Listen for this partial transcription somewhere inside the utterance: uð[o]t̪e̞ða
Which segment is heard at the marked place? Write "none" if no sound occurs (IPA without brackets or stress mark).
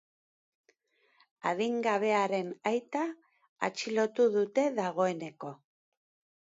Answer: u